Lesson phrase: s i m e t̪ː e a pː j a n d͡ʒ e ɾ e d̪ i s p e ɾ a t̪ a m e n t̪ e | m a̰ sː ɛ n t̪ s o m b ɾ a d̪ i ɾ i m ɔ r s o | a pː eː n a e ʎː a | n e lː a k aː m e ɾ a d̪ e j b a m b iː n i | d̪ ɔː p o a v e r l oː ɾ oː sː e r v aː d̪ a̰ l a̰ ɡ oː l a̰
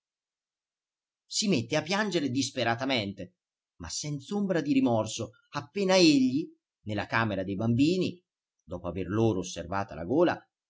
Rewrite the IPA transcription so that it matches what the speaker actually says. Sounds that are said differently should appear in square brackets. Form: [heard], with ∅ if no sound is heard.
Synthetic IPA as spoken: s i m e t̪ː e a pː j a n d͡ʒ e ɾ e d̪ i s p e ɾ a t̪ a m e n t̪ e | m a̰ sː ɛ n t̪ s o m b ɾ a d̪ i ɾ i m ɔ r s o | a pː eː n a e ʎː [i] | n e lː a k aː m e ɾ a d̪ e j b a m b iː n i | d̪ ɔː p o a v e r l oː ɾ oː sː e r v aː [t̪] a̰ l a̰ ɡ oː l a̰